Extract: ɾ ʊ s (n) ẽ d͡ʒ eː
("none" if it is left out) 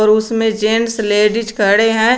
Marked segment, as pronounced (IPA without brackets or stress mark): m